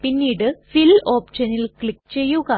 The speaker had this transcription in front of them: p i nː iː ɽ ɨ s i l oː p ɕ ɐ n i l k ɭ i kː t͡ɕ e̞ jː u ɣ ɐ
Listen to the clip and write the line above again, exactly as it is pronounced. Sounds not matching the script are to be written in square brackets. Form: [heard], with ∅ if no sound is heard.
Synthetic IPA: p i nː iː ɽ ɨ [f] i l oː p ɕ ɐ n i l k ɭ i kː t͡ɕ e̞ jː u ɣ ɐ